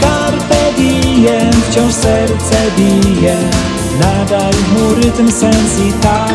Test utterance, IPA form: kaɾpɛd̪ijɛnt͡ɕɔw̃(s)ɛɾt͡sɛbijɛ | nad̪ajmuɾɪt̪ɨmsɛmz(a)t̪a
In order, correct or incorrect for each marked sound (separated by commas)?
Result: correct, incorrect